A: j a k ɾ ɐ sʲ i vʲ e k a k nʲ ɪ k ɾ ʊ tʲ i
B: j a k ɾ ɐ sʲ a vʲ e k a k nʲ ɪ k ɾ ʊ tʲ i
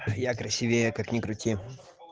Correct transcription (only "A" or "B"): A